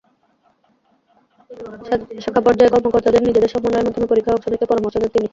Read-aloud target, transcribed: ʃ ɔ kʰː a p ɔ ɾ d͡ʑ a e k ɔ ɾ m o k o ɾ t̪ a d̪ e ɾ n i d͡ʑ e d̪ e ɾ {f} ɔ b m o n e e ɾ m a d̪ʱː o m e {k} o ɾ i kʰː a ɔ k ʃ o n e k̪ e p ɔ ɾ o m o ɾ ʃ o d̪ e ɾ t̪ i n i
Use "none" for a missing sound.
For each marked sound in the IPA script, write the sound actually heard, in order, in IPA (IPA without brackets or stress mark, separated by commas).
ʃ, p